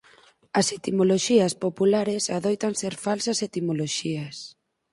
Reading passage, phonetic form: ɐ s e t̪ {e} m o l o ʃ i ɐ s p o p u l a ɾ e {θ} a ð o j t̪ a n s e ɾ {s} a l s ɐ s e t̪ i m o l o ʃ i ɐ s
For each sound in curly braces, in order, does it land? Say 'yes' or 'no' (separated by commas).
no, no, no